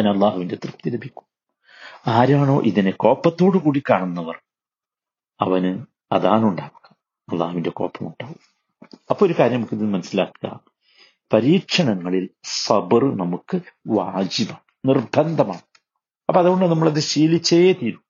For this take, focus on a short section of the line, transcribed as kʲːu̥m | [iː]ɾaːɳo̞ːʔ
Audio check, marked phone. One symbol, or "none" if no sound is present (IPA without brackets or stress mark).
aː